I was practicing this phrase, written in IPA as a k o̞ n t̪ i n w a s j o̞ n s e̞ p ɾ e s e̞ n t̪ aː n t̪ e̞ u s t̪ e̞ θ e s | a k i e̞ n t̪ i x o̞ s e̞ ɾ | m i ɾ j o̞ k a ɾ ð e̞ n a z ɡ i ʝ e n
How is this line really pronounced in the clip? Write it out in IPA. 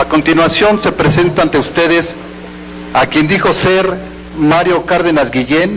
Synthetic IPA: a k o̞ n t̪ i n w a s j o̞ n s e̞ p ɾ e s e̞ n t̪ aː n t̪ e̞ u s t̪ e̞ ð e s | a k j e̞ n d̪ i x o̞ s e̞ ɾ | m a ɾ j o̞ k a ɾ ð e̞ n a z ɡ i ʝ e n